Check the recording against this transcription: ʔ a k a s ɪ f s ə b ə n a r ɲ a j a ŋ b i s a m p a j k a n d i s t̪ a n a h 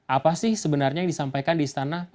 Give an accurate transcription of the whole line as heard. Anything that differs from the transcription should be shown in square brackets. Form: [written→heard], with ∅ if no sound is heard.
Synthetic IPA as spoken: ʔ a [k→p] a s ɪ [f→h] s ə b ə n a r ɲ a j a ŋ [b→d] i s a m p a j k a n d i s t̪ a n a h